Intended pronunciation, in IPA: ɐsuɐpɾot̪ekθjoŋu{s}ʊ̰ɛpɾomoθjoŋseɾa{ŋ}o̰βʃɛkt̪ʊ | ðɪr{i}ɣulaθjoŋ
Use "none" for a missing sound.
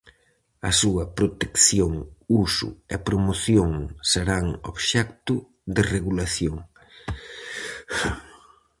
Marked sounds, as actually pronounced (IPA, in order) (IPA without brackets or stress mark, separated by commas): s, ŋ, e